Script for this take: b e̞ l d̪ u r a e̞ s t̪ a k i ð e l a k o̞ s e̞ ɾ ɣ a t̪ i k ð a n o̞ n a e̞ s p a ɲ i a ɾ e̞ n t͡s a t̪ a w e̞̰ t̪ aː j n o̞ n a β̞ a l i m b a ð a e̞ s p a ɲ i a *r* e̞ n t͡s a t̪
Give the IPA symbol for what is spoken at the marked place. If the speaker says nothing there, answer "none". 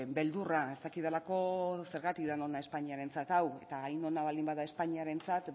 ɾ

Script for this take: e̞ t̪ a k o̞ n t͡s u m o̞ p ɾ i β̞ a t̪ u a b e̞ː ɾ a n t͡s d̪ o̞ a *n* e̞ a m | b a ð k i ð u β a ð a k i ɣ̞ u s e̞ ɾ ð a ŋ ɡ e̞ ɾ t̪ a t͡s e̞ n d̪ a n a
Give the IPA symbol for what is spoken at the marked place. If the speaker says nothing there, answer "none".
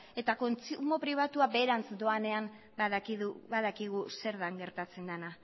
n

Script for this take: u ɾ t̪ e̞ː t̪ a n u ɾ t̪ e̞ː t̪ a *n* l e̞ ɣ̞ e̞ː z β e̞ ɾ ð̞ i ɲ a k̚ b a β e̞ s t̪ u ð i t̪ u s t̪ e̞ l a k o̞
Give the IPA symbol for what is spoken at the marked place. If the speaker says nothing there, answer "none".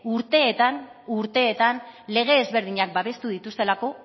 n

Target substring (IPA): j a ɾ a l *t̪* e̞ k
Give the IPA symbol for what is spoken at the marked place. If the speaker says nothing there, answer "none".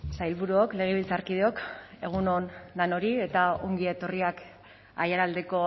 d̪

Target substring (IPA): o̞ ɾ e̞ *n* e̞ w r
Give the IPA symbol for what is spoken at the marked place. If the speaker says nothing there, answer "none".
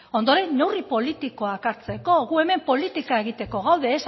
nː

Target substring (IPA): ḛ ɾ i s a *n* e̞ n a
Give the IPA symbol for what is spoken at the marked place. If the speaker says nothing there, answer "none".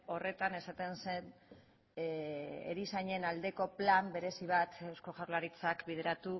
ɲ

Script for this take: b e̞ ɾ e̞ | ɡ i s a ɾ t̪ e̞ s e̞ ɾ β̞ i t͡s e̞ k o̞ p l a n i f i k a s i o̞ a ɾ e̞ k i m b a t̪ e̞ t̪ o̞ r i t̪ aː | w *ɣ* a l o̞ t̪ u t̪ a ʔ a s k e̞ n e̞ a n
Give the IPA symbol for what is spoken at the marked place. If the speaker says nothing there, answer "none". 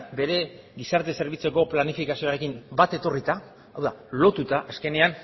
ð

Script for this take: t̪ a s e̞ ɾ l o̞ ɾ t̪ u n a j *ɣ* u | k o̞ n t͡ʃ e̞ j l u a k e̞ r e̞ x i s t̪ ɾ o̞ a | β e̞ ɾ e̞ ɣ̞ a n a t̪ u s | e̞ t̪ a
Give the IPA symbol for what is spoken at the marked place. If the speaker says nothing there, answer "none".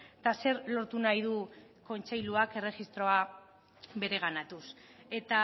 ð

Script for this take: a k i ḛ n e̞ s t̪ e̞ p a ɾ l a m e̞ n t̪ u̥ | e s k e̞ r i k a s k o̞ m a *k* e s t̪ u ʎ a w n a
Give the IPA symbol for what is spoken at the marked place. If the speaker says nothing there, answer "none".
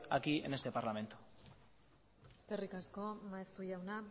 none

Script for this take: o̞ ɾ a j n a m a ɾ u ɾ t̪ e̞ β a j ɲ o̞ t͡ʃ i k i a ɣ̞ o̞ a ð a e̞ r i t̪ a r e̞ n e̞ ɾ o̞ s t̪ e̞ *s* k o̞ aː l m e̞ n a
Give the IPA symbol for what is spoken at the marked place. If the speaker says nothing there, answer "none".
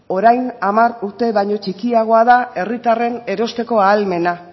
none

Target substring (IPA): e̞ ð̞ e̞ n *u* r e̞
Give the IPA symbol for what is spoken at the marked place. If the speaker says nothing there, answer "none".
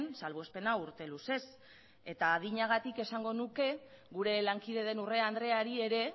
u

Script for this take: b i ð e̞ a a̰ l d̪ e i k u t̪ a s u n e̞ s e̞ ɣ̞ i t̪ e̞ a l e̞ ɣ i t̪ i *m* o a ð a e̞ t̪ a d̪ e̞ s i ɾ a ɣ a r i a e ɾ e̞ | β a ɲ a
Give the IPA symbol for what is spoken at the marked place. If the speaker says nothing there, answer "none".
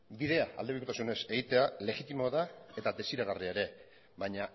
m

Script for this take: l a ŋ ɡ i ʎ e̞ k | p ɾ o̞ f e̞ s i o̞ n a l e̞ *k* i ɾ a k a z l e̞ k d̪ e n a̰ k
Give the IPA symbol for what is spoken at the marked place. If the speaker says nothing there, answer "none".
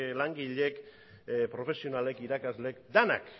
k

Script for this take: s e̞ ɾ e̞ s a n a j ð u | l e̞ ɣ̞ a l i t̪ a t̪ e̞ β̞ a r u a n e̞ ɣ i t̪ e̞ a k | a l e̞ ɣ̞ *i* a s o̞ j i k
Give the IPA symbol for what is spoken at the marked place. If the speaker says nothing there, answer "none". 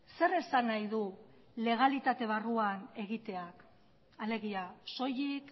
i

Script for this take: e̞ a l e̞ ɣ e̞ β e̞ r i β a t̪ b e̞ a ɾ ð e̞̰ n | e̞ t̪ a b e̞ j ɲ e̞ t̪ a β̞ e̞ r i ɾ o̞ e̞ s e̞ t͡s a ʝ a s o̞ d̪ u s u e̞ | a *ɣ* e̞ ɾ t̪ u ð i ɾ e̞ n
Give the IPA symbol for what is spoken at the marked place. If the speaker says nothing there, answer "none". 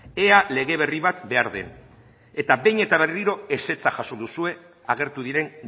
ɣ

